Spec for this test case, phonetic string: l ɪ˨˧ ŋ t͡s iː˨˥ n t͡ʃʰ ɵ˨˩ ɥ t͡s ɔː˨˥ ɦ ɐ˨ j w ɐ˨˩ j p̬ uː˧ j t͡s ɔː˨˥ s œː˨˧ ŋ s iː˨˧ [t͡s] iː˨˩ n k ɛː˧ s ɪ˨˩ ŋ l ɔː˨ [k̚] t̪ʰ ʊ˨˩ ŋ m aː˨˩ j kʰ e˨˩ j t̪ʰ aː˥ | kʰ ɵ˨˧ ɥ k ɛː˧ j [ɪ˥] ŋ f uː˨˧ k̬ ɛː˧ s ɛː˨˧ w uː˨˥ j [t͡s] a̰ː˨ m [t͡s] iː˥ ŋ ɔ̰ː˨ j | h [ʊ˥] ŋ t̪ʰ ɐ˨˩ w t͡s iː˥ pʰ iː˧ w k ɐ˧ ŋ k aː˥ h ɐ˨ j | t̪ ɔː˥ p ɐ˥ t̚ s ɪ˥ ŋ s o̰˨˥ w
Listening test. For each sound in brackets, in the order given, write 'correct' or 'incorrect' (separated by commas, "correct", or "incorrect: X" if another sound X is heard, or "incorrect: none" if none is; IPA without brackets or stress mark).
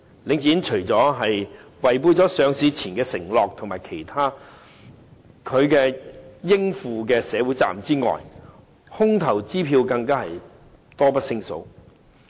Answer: incorrect: t͡sʰ, correct, correct, correct, correct, correct